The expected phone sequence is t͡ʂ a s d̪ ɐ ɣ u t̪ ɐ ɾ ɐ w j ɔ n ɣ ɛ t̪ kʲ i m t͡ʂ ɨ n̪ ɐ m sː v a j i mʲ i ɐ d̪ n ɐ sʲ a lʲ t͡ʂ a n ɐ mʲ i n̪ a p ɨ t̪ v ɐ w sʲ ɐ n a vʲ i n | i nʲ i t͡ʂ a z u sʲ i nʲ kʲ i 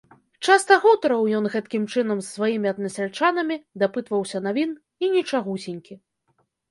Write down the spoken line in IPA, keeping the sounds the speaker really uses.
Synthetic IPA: t͡ʂ a s t̪ ɐ ɣ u t̪ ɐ ɾ ɐ w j ɔ n ɣ ɛ t̪ kʲ i m t͡ʂ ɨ n̪ ɐ m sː v a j i mʲ i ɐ d̪ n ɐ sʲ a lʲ t͡ʂ a n ɐ mʲ i d̪ a p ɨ t̪ v ɐ w sʲ ɐ n a vʲ i n | i nʲ i t͡ʂ a ɣ u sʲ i nʲ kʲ i

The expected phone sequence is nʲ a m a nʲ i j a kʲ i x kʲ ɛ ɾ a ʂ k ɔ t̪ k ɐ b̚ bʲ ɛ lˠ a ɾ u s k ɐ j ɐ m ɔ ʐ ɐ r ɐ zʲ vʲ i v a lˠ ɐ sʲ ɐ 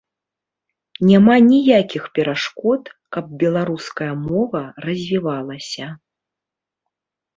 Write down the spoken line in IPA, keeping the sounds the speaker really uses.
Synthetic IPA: nʲ a m a nʲ i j a kʲ i x pʲ ɛ ɾ a ʂ k ɔ t̪ k ɐ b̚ bʲ ɛ lˠ a ɾ u s k ɐ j ɐ m ɔ v ɐ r ɐ zʲ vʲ i v a lˠ ɐ sʲ ɐ

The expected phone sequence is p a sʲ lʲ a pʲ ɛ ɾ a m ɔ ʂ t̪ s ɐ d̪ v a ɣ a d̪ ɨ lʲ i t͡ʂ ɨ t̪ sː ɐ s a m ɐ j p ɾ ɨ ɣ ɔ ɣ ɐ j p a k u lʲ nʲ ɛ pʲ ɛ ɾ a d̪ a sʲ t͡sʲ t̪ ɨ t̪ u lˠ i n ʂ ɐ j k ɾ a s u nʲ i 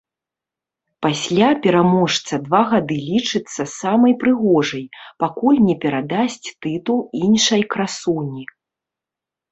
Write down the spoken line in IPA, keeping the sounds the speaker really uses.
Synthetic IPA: p a sʲ lʲ a pʲ ɛ ɾ a m ɔ ʂ t̪ s ɐ d̪ v a ɣ a d̪ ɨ lʲ i t͡ʂ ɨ t̪ sː ɐ s a m ɐ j p ɾ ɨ ɣ ɔ ʐ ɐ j p a k u lʲ nʲ ɛ pʲ ɛ ɾ a d̪ a sʲ t͡sʲ t̪ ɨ t̪ u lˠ i n ʂ ɐ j k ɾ a s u nʲ i

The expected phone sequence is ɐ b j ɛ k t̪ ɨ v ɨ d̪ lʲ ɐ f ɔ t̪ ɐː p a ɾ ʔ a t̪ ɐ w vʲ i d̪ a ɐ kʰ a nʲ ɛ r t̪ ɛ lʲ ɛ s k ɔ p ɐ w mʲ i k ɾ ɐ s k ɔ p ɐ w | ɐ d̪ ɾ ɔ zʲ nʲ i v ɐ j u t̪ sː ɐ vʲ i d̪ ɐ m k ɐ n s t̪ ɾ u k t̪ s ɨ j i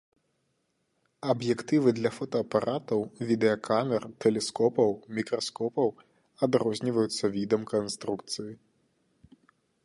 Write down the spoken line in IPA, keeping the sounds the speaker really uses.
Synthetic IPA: ɐ b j ɛ k t̪ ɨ v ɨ d̪ lʲ ɐ f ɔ t̪ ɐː p a ɾ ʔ a t̪ ɐ w vʲ i d̪ ɛ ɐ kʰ a mʲ ɛ r t̪ ɛ lʲ ɛ s k ɔ p ɐ w mʲ i k ɾ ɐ s k ɔ p ɐ w | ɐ d̪ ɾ ɔ zʲ nʲ i v ɐ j u t̪ sː ɐ vʲ i d̪ ɐ m k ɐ n s t̪ ɾ u k t̪ s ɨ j i

